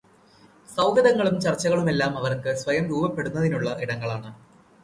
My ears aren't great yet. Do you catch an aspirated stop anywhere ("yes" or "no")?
no